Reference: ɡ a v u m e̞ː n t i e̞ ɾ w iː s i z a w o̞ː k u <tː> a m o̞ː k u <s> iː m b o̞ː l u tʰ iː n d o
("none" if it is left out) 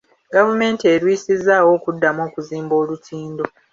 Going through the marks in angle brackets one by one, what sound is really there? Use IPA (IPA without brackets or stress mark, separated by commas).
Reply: dː, z